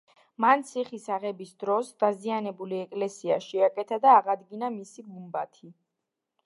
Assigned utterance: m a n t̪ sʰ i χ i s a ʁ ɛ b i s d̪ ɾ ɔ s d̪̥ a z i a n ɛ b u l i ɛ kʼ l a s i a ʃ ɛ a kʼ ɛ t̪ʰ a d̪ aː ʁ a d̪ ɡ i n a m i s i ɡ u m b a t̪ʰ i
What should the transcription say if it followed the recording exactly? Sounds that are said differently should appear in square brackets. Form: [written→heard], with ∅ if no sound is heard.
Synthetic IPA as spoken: m a n t̪ sʰ i χ i s a ʁ ɛ b i s d̪ ɾ ɔ s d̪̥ a z i a n ɛ b u l i ɛ kʼ l [a→ɛ] s i a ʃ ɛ a kʼ ɛ t̪ʰ a d̪ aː ʁ a d̪ ɡ i n a m i s i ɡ u m b a t̪ʰ i